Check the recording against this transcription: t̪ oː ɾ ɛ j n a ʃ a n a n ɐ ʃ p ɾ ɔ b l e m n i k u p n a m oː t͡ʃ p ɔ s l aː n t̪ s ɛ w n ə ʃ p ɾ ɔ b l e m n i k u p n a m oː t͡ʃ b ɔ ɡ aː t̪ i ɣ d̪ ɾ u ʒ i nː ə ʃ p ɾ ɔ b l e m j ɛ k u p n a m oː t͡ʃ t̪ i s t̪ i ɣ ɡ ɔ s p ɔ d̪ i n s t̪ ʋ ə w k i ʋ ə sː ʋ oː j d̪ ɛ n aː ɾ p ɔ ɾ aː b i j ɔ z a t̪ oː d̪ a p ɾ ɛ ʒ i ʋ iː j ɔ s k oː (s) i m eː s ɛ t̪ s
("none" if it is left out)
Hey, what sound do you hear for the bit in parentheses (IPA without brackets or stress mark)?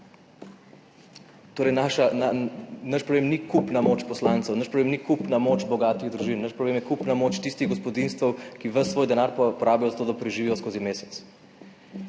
z